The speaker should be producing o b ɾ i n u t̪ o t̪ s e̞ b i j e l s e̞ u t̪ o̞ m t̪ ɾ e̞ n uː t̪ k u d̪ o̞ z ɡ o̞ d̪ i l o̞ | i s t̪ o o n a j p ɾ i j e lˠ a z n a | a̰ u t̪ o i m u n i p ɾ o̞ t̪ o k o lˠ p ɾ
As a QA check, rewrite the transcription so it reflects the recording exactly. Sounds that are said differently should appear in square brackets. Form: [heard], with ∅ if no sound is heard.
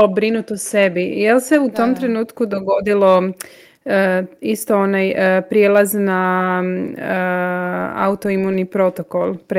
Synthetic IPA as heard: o b ɾ i n u t̪ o [∅] s e̞ b i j e l s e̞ u t̪ o̞ m t̪ ɾ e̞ n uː t̪ k u d̪ o̞ [∅] ɡ o̞ d̪ i l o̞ | i s t̪ o o n a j p ɾ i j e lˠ a z n a | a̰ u t̪ o i m u n i p ɾ o̞ t̪ o k o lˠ p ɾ